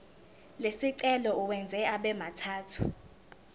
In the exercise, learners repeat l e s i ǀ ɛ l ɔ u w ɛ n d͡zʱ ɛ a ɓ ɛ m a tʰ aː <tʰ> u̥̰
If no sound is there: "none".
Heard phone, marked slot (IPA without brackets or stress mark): tʰ